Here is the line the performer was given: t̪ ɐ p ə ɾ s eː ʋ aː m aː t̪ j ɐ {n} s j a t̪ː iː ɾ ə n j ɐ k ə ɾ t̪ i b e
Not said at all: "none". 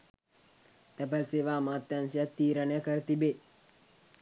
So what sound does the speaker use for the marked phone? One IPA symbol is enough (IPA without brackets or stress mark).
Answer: n